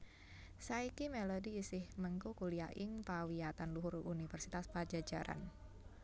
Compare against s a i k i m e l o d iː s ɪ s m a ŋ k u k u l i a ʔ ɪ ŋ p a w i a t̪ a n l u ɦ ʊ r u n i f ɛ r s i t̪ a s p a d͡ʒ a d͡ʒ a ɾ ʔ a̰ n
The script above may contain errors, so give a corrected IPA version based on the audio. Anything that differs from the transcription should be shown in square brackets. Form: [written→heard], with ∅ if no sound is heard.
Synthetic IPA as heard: s a i k i m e l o d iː s ɪ [s→h] m [a→ə] ŋ k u k u l i a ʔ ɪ ŋ p a w i a t̪ a n l u ɦ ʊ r u n i f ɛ r s i t̪ a s p a d͡ʒ a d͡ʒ a ɾ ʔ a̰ n